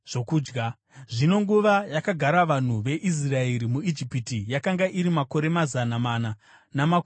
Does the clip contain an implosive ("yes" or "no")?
no